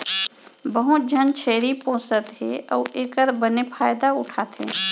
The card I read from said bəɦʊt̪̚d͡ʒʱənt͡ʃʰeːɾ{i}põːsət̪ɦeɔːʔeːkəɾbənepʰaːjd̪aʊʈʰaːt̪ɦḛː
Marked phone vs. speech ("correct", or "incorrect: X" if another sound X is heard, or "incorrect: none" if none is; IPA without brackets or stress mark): correct